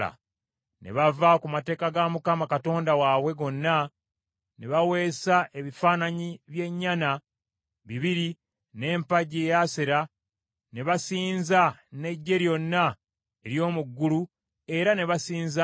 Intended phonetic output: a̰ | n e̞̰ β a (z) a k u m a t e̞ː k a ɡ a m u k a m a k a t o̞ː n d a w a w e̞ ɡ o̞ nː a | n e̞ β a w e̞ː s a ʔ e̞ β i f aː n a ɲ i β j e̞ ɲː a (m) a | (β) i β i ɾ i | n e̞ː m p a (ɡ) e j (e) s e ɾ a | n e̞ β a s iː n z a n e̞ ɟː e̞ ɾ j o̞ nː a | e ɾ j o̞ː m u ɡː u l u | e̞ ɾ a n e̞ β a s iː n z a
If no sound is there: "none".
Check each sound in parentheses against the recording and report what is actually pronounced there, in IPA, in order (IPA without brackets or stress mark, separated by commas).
v, n, β, ɟ, a